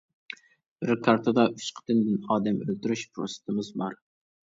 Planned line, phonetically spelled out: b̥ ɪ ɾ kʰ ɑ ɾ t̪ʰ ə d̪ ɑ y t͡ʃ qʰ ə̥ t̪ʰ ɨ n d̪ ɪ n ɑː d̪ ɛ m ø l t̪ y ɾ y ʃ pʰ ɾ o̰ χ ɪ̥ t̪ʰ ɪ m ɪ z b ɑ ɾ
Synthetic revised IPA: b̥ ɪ ɾ kʰ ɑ ɾ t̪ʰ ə d̪ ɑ y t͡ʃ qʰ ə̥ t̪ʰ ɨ n d̪ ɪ n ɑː d̪ ɛ m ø l t̪ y ɾ y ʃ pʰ ɾ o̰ s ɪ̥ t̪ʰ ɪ m ɪ z b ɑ ɾ